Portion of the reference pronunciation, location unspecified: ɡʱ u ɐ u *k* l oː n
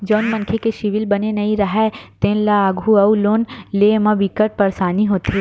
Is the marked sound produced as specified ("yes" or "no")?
no